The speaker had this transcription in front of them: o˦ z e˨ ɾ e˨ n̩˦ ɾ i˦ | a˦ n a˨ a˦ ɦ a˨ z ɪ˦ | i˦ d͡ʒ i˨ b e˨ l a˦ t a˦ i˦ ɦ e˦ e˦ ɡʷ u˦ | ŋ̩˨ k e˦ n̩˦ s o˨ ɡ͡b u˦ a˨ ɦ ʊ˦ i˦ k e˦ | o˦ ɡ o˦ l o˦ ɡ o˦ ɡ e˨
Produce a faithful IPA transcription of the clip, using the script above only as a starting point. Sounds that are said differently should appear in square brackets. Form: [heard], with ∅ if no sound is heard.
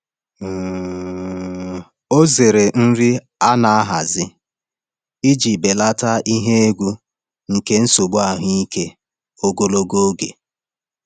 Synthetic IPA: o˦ z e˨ ɾ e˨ n̩˦ ɾ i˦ | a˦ n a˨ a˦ ɦ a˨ z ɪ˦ | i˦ d͡ʒ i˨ b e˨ l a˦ t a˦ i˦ ɦ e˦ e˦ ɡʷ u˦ | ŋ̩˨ k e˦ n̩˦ s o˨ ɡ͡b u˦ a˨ ɦ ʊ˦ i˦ k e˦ | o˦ ɡ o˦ l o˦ ɡ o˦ ɡ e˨